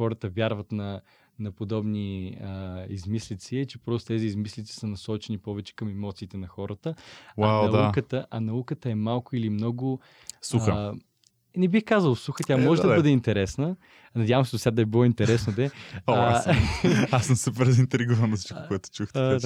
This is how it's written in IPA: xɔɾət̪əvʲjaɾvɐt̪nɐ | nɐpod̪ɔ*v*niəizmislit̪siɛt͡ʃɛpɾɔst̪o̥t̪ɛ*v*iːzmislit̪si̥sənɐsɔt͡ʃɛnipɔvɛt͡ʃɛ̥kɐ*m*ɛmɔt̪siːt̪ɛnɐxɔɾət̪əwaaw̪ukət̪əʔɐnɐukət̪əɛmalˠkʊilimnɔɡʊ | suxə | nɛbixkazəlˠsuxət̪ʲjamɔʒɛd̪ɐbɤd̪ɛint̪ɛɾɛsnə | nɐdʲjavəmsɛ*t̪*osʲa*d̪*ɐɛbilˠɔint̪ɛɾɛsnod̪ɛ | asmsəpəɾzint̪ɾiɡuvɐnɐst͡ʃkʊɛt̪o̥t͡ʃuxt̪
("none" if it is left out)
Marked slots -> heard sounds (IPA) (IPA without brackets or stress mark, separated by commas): b, z, m, d̪, d̪